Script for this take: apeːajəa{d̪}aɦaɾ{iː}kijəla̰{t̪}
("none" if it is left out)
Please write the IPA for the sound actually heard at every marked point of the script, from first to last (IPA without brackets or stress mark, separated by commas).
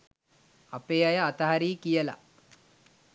t̪, iː, none